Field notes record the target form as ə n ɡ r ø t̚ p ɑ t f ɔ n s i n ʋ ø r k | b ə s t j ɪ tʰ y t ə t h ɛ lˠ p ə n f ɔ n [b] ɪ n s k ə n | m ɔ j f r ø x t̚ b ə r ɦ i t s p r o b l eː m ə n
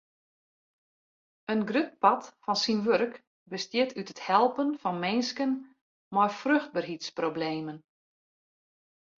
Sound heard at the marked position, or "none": m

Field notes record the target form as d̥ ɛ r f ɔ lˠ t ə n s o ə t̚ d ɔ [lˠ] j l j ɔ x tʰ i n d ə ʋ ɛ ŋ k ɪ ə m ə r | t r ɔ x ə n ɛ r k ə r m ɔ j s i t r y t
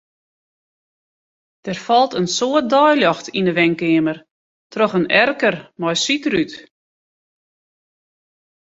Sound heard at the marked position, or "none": none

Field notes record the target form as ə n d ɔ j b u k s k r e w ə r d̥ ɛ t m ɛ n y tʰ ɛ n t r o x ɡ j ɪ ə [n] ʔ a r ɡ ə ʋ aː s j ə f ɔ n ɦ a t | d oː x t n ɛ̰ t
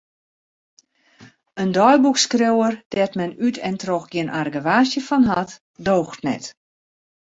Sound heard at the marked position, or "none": n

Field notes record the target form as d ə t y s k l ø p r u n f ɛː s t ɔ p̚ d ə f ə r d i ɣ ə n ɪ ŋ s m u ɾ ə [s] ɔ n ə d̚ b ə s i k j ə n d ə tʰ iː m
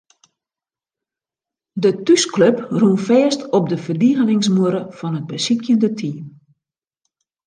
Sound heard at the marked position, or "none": f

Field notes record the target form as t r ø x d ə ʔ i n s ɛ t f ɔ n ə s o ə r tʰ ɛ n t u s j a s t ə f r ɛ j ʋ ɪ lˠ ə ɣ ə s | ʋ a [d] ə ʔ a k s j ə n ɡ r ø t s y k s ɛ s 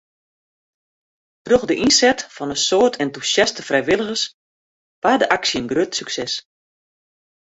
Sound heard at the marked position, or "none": d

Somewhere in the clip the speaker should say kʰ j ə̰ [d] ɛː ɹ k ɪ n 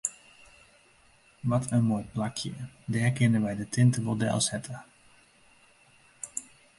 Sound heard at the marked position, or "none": d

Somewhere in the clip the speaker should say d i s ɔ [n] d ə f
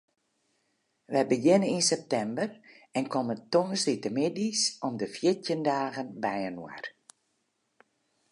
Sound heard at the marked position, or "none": m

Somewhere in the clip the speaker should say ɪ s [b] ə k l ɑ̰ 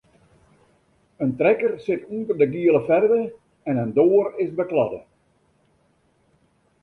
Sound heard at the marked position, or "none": b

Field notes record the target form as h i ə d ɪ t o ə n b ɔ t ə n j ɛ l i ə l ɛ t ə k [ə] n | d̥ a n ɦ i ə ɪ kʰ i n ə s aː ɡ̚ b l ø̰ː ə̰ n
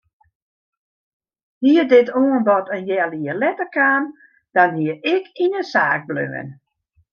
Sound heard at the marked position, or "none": a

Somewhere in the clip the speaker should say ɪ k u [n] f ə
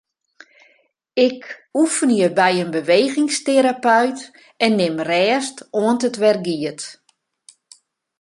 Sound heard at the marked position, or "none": none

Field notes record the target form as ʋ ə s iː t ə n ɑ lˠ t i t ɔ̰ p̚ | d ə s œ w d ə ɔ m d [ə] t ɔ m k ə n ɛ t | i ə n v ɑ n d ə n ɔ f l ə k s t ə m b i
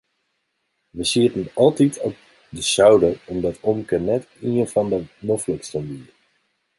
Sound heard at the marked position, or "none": ɑ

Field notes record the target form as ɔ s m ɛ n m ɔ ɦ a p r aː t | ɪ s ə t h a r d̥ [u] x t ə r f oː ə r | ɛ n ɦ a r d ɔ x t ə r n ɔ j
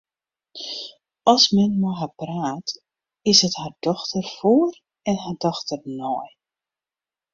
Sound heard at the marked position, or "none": ɔ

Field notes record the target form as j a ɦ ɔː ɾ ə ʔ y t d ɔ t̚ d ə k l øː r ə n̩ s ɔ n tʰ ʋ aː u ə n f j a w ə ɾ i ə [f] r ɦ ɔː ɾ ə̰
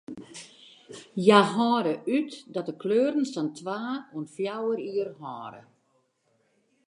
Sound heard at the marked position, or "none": none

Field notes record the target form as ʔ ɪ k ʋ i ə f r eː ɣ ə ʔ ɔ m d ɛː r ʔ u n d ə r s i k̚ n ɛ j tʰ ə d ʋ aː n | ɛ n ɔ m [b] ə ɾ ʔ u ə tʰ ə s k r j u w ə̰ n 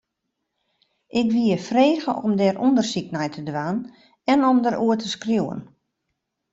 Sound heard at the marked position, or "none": d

